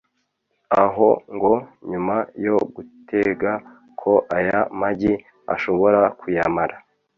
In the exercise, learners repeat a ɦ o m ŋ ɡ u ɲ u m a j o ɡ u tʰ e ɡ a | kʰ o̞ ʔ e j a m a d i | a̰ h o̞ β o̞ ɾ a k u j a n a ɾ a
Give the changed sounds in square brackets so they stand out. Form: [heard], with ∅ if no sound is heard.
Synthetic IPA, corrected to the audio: a ɦ o [∅] ŋ ɡ [o] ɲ u m a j o ɡ u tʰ e ɡ a | kʰ o̞ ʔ [a] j a m a [ɟ] i | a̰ [ʃ] o̞ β o̞ ɾ a k u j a [m] a ɾ a